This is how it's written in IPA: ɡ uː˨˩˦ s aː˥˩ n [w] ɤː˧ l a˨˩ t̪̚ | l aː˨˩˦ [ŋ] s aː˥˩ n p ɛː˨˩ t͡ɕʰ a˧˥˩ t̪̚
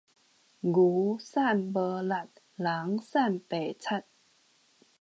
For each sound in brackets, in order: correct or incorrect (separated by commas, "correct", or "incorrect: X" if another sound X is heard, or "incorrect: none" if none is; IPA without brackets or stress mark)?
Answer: incorrect: b, correct